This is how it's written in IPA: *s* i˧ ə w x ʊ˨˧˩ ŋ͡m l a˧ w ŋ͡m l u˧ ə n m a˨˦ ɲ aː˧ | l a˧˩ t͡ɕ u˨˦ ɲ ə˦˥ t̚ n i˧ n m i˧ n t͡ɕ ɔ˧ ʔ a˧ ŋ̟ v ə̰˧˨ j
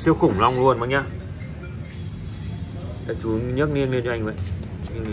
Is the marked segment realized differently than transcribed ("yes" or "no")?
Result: no